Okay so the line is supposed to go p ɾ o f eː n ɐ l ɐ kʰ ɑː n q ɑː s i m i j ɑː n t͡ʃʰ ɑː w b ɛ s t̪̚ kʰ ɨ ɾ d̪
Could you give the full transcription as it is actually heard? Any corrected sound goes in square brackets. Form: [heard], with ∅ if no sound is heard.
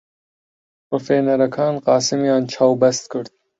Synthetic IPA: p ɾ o f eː n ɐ [ɾ] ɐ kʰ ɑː n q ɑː s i m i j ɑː n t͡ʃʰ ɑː w b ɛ s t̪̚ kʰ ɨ ɾ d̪